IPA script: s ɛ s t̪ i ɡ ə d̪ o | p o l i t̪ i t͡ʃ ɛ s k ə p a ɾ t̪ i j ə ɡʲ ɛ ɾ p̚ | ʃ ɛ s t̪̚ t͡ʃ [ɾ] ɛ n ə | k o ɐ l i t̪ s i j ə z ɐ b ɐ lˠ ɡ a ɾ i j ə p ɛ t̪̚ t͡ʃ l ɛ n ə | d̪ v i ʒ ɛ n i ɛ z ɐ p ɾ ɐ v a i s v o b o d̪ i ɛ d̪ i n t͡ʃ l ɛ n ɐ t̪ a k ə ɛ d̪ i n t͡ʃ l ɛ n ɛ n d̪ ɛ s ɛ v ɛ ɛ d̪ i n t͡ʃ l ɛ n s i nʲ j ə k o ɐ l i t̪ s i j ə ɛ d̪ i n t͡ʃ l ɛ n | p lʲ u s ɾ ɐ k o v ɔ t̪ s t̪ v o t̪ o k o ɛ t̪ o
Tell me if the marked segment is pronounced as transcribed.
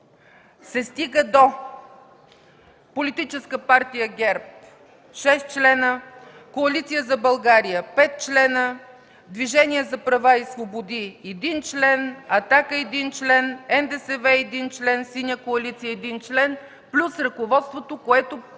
no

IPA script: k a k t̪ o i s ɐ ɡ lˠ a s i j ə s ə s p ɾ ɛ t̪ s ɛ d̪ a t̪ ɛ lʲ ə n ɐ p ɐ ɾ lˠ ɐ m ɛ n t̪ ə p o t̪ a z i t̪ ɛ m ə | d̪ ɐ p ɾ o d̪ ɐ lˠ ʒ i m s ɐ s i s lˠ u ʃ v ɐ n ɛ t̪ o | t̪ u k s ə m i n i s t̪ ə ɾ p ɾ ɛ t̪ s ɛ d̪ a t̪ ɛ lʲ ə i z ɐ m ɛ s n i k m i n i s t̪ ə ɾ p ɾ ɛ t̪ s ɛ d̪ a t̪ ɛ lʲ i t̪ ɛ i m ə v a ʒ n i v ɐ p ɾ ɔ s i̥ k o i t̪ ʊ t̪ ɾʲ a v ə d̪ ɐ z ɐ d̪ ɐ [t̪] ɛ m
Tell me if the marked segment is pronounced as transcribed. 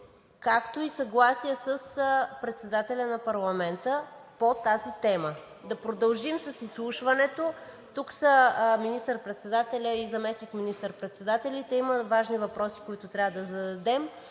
no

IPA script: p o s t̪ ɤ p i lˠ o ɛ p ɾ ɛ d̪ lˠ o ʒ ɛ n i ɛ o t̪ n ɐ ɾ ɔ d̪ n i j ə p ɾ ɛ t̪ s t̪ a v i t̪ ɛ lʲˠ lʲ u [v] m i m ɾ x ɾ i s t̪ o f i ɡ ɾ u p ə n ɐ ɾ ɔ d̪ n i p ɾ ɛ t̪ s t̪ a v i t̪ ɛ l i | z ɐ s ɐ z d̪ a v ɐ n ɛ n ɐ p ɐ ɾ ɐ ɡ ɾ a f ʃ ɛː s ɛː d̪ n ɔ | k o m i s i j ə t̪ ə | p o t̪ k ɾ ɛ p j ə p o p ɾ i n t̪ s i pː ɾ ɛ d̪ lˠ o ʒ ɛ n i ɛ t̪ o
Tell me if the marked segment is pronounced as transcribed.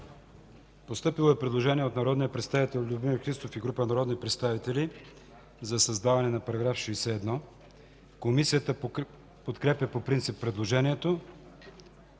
no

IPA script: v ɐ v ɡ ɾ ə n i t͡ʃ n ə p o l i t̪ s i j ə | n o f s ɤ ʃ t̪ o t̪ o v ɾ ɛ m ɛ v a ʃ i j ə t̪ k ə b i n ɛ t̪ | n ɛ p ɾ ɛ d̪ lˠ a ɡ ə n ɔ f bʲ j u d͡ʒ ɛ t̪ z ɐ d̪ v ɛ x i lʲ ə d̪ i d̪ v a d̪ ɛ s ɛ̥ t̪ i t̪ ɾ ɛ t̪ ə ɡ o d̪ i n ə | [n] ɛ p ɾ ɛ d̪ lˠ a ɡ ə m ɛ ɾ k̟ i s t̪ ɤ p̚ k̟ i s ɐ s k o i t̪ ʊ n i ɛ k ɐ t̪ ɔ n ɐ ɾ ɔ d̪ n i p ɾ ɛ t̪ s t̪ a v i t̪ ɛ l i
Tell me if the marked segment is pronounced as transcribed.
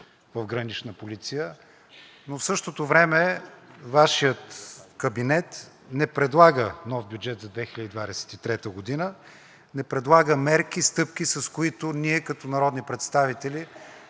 yes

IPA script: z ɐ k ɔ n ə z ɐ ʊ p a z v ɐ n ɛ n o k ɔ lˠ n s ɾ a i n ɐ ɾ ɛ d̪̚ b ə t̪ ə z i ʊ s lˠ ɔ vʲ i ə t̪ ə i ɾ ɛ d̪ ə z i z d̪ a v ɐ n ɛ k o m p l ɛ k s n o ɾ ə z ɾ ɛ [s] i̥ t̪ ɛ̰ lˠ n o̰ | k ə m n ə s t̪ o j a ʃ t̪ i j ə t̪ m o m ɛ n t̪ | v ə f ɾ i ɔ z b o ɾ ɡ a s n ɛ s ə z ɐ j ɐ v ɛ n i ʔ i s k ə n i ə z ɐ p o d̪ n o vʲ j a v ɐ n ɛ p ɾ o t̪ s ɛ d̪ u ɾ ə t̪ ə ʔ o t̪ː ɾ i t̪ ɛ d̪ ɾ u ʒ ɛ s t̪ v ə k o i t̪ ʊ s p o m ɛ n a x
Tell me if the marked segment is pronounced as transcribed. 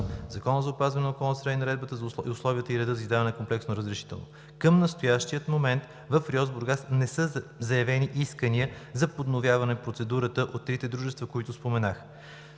no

